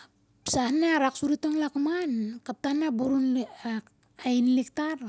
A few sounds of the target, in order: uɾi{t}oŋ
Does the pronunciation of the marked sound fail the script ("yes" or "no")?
no